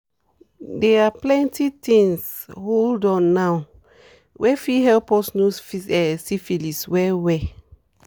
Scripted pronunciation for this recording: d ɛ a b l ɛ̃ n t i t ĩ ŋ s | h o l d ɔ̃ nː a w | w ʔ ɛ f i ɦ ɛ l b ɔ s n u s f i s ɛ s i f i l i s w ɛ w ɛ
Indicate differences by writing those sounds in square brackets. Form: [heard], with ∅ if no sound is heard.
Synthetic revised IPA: d ɛ a [p] l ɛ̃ n t i t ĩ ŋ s | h o l d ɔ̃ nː a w | w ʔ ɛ f i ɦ ɛ l [p] ɔ s n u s f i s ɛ s i f i l i s w ɛ w ɛ